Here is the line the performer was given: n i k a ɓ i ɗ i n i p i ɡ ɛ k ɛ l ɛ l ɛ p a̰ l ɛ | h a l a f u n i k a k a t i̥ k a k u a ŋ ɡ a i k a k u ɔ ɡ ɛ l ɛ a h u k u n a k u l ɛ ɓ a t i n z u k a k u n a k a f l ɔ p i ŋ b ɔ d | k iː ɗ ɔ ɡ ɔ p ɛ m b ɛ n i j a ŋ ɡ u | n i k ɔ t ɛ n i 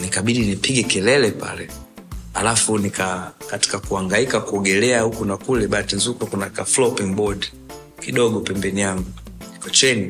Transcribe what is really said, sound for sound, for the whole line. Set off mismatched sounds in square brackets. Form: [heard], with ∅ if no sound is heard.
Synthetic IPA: n i k a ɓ i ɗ i n i p i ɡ ɛ k ɛ l ɛ l ɛ p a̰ l ɛ | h a l a f u n i k a k a t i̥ k a k u a ŋ ɡ a i k a k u ɔ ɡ ɛ l ɛ a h u k u n a k u l ɛ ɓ a t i n z u k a k u n a k a f l ɔ p i ŋ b ɔ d | k [i] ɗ ɔ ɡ ɔ p ɛ m b ɛ n i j a ŋ ɡ u | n i k ɔ [t͡ʃ] ɛ n i